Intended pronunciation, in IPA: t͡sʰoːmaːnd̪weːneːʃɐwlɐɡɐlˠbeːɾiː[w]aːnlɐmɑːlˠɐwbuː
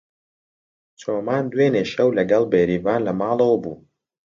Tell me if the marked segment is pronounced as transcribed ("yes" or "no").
no